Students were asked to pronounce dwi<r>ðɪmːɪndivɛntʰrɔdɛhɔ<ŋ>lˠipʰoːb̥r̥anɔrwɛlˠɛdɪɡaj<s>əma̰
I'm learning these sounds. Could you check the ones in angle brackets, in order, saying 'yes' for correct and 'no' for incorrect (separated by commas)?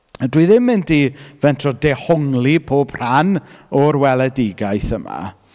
no, yes, no